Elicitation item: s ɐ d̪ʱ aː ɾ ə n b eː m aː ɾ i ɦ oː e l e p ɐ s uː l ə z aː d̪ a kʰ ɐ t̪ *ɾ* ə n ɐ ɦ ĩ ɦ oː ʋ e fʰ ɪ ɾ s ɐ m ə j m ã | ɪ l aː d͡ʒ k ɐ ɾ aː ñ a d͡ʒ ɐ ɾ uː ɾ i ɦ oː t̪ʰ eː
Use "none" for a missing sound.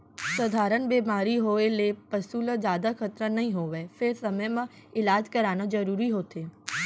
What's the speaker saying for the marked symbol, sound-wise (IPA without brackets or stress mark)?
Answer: ɾ